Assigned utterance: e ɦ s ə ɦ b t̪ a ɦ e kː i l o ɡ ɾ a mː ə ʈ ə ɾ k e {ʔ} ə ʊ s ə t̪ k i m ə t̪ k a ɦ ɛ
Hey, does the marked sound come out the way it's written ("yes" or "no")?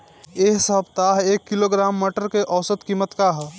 yes